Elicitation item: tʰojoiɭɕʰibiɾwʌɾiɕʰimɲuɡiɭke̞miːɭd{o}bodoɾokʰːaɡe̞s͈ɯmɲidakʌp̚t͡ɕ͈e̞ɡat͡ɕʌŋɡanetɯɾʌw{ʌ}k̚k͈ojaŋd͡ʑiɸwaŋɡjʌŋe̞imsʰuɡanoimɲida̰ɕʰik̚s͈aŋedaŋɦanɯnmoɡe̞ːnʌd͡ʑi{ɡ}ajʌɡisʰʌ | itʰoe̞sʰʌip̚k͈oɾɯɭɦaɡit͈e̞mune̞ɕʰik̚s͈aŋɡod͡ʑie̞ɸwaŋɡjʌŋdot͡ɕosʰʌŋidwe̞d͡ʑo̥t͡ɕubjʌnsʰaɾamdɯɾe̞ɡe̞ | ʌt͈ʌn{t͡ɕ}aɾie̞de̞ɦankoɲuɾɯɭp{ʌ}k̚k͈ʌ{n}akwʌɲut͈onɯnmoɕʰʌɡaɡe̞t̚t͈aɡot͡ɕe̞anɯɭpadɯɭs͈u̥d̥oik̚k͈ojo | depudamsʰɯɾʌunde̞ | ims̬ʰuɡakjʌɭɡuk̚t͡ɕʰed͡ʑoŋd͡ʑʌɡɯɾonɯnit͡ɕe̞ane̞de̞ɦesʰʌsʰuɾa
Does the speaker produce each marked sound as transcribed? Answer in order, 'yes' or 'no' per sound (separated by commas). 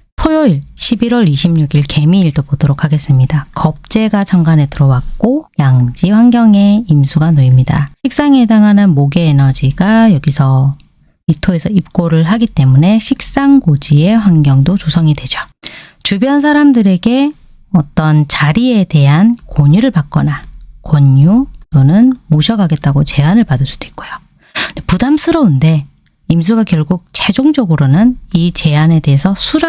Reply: yes, no, yes, yes, no, yes